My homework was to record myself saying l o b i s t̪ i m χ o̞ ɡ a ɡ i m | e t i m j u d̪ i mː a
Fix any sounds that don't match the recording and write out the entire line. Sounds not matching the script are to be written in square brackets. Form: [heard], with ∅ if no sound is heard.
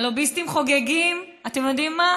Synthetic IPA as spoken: l o b i s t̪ i m χ o̞ ɡ [e] ɡ i m | [a] t [e] m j [o] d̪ i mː a

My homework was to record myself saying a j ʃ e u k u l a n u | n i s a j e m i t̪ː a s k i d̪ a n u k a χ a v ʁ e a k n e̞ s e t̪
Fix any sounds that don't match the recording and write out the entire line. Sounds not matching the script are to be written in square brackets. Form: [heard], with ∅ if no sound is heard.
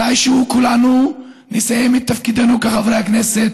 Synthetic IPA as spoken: a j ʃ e u k u l a n u | n i s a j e m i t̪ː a [f] k i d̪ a n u k a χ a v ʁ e a k n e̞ s e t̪

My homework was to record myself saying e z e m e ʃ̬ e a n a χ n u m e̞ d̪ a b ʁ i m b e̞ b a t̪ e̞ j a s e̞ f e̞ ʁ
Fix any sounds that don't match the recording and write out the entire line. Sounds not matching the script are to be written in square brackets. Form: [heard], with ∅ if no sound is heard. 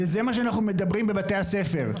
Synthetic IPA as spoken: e z e m [a] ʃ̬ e a n a χ n u m e̞ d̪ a b ʁ i m b e̞ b a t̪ e̞ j a s e̞ f e̞ ʁ

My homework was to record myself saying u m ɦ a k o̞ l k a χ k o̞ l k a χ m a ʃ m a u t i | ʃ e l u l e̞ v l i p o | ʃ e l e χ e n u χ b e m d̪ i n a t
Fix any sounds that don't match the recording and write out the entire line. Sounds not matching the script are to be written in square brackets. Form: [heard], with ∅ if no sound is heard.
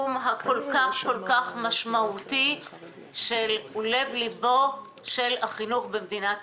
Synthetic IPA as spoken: u m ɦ a k o̞ l k a χ k o̞ l k a χ m a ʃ m a u t i | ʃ e l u l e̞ v l i [b] o | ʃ e l [a] χ [i] n u χ b e m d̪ i n a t

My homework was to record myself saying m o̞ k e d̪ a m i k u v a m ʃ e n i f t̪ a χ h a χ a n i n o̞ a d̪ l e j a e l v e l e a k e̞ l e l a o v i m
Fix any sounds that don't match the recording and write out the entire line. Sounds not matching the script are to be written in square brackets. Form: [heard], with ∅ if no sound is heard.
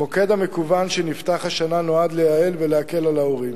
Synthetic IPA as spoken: m o̞ k e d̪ a m [e] k u v a [n] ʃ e n i f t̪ a χ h a [ʃ] a n [a] n o̞ a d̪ l e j a e l v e l e a k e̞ l [a] l a o [ʁ] i m

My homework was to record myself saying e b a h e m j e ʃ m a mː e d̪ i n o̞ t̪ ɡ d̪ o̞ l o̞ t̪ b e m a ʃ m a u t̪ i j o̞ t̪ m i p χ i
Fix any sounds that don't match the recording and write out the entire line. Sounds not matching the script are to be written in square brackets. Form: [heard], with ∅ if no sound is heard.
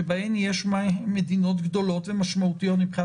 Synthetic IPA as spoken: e b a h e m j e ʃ m a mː e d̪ i n o̞ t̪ ɡ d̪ o̞ l o̞ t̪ [v] e m a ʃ m a u t̪ i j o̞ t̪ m i p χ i

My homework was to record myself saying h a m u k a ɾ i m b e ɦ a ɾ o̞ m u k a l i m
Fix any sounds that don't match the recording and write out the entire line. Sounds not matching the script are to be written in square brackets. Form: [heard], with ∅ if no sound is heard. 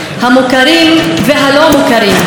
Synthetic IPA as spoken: h a m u k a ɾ i m [v] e ɦ a [l] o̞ m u k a [ɾ] i m

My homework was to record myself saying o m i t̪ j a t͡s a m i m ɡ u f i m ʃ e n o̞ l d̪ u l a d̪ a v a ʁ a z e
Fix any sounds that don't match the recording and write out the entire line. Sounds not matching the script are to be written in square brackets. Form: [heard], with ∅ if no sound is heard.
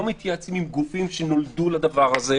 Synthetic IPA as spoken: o m i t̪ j a t͡s [i] m i m ɡ u f i m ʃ e n o̞ l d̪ u l a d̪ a v a ʁ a z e

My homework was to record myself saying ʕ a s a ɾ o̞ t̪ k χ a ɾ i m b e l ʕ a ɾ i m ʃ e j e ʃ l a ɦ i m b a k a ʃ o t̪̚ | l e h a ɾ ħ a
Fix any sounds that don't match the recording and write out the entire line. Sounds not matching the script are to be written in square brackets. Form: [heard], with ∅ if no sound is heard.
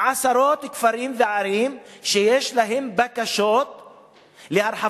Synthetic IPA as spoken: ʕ a s a ɾ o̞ t̪ k [f] a ɾ i m [v] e [∅] ʕ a ɾ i m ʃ e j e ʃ l a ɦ [e] m b a k a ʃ o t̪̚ | l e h a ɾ ħ a

